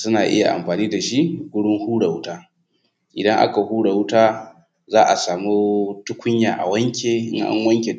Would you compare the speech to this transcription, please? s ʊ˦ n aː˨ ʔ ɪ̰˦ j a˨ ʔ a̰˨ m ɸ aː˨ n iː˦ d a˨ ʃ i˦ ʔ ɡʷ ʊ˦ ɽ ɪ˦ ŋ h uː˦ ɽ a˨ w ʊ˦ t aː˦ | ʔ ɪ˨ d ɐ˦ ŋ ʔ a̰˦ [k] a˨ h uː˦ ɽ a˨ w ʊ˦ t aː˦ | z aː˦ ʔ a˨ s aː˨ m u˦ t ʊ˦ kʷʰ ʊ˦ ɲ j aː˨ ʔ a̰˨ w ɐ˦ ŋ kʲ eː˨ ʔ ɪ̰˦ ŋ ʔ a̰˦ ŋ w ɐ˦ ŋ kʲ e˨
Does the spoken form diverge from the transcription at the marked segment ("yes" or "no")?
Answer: no